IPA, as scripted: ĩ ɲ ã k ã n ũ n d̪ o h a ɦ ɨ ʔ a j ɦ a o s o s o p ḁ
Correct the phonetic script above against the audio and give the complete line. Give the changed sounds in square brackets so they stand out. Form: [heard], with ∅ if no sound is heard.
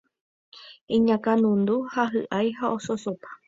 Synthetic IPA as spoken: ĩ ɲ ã k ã n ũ n d̪ [u] h a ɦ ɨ ʔ a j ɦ a o s o s o p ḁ